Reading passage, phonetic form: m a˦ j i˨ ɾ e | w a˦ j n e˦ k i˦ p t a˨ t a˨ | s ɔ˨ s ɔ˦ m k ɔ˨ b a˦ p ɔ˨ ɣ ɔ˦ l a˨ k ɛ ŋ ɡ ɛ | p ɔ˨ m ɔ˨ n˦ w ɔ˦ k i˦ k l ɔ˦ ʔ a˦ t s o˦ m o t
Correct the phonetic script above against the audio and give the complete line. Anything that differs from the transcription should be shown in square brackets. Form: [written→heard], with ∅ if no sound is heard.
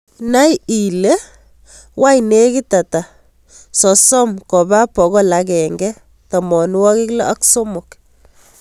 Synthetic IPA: [m→n] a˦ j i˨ [ɾ→l] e | w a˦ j n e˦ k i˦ [p→∅] t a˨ t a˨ | s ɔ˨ s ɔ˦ m k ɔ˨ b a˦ p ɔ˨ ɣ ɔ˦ l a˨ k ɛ ŋ ɡ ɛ | [p→t] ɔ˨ m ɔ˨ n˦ w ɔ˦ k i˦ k l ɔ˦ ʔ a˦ [t→k] s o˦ m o [t→k]